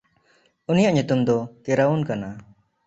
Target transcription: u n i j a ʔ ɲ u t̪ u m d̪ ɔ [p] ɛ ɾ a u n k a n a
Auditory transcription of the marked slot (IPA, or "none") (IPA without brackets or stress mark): k